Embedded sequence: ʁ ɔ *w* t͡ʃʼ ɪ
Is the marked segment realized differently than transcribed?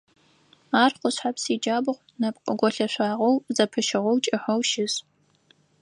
no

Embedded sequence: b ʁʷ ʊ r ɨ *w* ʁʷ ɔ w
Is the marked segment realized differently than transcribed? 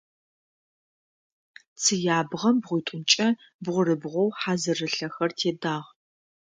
yes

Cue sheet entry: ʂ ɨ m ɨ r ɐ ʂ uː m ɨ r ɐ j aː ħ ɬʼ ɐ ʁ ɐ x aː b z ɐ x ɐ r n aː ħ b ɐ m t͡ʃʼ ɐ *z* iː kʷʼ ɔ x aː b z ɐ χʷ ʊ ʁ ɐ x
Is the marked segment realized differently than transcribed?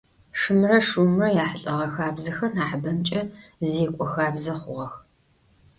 no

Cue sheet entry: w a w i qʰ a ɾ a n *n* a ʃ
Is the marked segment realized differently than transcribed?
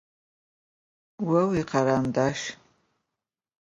yes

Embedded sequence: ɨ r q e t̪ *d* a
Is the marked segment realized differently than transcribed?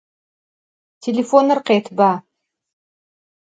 yes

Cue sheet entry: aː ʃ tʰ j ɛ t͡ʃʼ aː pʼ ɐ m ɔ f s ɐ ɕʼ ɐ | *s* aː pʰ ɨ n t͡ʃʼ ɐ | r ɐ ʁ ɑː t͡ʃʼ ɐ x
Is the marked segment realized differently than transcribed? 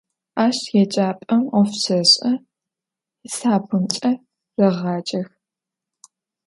no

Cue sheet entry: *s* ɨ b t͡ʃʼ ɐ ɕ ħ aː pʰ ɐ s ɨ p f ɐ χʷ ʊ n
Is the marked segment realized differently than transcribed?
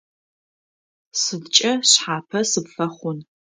no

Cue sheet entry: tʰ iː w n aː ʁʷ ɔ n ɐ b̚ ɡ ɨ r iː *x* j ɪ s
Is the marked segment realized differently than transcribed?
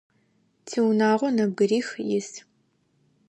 no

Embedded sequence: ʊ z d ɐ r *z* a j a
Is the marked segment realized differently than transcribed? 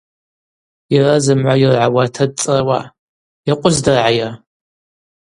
yes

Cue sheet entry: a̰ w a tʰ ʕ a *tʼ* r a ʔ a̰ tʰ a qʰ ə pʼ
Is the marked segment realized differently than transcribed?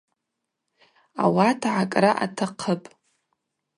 yes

